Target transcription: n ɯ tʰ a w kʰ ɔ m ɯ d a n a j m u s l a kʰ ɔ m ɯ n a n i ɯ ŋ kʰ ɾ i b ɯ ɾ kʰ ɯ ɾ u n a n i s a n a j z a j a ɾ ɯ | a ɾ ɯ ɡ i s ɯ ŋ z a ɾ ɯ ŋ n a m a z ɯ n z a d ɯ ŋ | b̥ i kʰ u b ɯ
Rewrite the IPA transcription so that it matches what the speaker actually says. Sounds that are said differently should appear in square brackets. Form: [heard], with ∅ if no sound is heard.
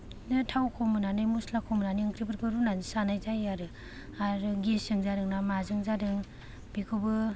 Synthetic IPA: n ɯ tʰ a w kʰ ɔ m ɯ [n] a n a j m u s l a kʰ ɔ m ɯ n a n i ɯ ŋ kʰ ɾ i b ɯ ɾ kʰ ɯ ɾ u n a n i s a n a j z a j a ɾ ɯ | a ɾ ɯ ɡ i s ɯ ŋ z a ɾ ɯ ŋ n a m a z ɯ [ŋ] z a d ɯ ŋ | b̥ i kʰ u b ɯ